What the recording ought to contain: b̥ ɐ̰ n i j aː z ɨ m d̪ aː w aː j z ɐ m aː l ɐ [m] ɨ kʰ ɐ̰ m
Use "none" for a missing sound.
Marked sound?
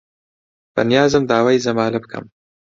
b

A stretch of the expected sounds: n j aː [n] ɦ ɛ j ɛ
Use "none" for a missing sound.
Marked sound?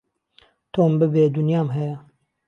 m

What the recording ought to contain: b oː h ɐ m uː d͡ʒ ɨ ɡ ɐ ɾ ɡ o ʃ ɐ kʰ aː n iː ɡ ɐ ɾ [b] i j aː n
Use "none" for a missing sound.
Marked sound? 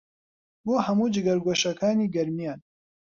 m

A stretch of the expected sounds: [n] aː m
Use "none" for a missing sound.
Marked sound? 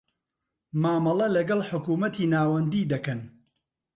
m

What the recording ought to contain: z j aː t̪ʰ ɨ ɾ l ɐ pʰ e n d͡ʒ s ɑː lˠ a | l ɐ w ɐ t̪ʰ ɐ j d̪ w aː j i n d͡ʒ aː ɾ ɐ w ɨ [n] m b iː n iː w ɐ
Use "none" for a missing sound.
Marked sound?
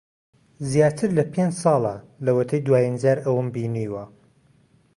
none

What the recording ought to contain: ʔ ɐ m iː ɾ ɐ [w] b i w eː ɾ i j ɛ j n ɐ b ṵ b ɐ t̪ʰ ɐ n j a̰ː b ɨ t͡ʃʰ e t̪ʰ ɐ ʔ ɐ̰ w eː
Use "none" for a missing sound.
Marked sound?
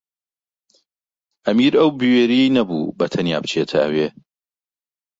w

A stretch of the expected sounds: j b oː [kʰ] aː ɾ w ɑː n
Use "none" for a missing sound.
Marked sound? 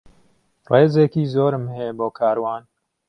kʰ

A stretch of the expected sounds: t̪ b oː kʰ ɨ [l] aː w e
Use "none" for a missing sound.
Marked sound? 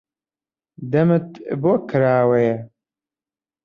ɾ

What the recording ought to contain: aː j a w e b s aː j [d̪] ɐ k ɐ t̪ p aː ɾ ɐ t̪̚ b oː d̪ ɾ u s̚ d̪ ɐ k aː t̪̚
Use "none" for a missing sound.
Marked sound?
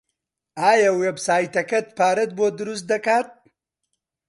t̪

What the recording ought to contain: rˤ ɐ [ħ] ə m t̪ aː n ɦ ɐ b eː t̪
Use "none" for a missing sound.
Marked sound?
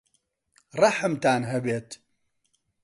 ħ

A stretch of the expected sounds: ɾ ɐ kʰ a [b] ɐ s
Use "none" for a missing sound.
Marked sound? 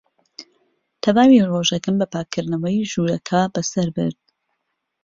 b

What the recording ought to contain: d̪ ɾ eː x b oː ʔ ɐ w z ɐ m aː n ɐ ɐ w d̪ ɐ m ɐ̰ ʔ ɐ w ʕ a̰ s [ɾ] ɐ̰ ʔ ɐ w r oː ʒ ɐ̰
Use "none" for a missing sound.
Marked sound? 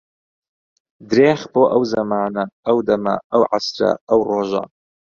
ɾ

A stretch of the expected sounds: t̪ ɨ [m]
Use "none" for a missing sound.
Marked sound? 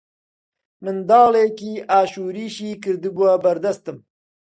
m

